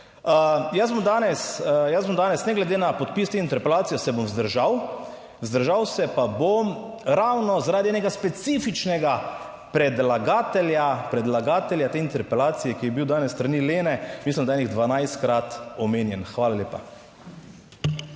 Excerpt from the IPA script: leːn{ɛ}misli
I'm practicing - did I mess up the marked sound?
no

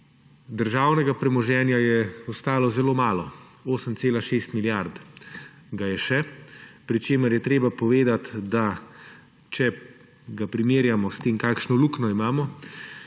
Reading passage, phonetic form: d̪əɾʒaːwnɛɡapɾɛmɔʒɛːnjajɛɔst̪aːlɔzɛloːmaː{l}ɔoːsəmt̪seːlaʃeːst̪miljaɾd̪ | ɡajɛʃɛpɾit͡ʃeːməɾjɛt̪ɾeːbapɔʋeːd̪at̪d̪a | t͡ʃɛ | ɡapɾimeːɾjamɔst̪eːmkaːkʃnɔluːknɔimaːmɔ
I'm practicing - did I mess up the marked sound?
no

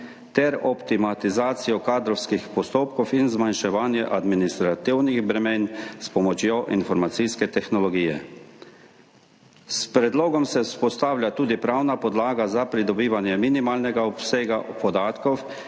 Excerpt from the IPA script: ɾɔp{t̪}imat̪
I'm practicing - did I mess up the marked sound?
no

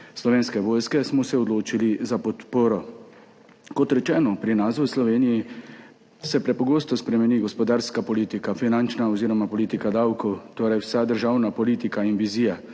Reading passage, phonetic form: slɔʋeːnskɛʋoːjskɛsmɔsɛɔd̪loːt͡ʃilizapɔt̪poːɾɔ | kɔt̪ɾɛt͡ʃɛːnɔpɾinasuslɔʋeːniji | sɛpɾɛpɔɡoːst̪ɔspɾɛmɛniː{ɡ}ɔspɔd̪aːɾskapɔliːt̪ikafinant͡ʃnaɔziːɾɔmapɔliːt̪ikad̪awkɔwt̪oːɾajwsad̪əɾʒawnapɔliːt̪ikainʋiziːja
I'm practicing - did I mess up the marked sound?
no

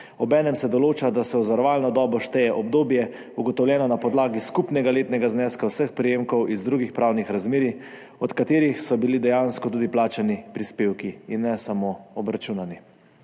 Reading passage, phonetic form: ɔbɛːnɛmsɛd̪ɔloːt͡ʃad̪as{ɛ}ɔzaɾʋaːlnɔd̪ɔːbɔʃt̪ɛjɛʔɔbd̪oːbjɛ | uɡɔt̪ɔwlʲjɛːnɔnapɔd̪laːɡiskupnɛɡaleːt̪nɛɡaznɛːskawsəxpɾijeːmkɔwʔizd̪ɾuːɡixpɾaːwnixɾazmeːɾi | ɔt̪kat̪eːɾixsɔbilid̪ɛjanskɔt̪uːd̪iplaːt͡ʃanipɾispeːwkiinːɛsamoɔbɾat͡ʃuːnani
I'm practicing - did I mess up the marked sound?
no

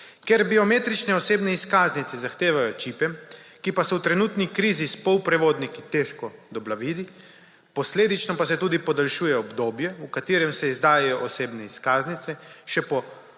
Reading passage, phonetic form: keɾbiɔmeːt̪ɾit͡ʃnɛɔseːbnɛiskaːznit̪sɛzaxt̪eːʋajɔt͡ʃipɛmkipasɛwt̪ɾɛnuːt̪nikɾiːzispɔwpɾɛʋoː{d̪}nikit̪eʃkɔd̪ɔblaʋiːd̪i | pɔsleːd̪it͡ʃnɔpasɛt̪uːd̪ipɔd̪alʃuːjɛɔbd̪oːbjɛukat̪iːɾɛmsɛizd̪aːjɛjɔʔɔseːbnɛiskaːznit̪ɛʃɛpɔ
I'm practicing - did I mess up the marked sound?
no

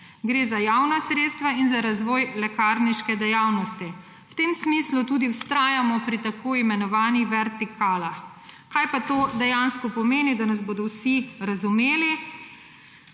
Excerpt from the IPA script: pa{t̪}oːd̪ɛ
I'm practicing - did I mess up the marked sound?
no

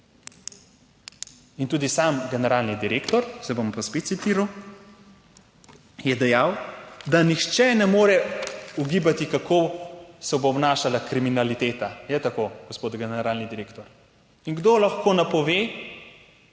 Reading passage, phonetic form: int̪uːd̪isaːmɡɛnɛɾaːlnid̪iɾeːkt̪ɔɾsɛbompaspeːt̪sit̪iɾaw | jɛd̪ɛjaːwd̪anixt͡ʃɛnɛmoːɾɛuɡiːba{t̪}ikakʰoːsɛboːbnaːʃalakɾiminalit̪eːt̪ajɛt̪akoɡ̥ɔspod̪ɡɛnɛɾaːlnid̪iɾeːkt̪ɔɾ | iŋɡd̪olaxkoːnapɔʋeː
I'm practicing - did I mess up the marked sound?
no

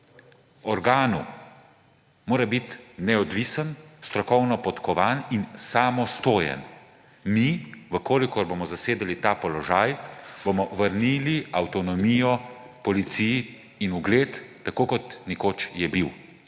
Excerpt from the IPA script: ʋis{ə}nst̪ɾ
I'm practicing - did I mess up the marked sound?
no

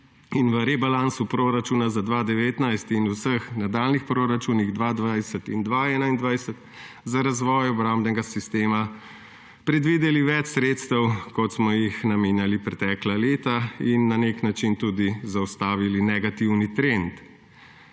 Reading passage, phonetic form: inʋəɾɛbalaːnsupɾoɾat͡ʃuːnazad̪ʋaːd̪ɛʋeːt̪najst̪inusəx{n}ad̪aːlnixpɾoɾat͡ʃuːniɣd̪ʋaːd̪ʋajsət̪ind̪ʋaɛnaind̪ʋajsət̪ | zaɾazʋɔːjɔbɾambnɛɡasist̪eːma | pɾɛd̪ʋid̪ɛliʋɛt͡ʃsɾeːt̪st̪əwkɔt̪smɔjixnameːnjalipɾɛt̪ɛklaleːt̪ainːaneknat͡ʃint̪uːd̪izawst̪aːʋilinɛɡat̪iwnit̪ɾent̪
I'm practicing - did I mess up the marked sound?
no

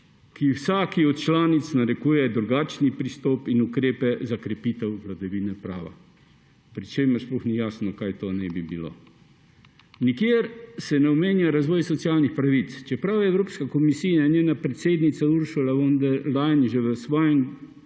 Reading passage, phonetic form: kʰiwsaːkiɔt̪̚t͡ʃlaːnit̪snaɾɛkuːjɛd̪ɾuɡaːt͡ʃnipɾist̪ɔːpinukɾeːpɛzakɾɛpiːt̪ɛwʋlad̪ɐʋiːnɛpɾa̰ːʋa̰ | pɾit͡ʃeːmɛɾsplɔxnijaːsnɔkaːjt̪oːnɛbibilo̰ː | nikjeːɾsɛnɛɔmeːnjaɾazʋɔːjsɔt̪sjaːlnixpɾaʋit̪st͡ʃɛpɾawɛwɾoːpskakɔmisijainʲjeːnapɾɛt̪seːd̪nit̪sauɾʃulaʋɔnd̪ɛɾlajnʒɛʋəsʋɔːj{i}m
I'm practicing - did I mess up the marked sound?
yes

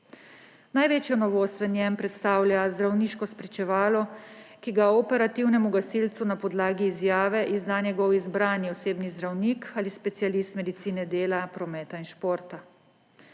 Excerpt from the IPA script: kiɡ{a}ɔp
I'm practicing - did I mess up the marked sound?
no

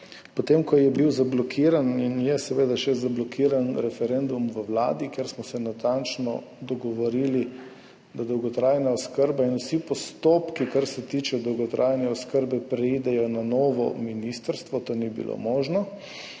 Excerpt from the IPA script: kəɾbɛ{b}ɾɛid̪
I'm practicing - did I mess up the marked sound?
yes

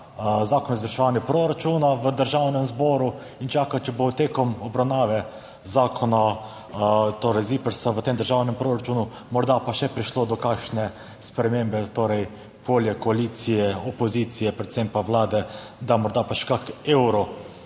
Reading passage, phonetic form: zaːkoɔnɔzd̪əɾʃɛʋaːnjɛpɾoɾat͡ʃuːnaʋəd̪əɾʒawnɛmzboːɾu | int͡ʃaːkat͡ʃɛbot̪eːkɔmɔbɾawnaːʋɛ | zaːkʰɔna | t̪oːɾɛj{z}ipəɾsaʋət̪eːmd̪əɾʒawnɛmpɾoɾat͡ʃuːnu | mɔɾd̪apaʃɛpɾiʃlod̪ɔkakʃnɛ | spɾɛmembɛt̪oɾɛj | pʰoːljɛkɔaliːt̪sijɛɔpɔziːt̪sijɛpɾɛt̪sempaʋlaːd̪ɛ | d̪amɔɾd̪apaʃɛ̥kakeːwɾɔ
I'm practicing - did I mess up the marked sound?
no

